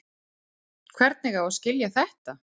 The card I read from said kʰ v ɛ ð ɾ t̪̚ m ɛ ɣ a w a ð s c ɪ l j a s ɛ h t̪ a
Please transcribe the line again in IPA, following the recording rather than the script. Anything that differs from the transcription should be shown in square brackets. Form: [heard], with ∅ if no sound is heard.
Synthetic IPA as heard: kʰ v ɛ [∅] ɾ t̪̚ [n] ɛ ɣ a w a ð s c ɪ l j a [θ] ɛ h t̪ a